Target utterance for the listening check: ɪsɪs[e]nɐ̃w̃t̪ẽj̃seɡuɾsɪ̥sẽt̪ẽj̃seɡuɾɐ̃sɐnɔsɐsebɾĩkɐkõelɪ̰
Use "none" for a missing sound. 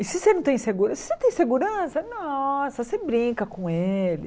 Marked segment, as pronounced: e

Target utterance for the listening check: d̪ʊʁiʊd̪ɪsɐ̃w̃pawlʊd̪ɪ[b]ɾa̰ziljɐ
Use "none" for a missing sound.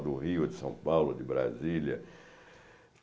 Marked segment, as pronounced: b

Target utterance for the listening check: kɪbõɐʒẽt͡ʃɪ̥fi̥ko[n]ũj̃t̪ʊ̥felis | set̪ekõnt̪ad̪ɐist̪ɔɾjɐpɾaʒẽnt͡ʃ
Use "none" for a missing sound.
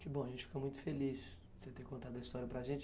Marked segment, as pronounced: m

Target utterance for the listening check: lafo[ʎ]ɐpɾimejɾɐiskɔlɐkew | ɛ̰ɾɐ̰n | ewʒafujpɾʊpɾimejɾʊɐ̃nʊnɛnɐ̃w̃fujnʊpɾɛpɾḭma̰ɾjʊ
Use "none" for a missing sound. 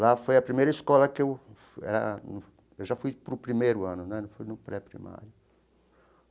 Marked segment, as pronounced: j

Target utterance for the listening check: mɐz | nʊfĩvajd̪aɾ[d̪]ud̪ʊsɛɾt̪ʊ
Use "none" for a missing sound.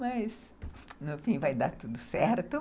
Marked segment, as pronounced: t̪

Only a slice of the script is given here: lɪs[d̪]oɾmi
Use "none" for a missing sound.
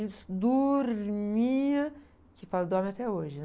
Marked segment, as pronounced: d̪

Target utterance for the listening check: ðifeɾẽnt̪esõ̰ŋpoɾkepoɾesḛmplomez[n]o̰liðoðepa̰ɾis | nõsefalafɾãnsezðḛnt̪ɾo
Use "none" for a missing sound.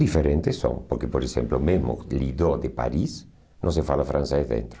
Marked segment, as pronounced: m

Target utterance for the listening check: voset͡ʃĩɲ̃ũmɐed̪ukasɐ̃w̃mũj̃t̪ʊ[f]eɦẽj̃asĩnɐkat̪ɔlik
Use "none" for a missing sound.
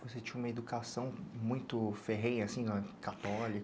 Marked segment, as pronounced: f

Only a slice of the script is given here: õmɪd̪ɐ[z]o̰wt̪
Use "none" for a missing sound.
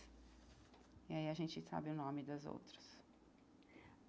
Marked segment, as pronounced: z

